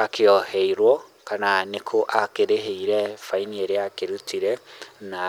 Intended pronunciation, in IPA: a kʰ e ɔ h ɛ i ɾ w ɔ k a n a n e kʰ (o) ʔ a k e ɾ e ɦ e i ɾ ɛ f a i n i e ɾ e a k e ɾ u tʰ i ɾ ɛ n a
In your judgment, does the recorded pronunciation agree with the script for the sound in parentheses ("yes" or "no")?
yes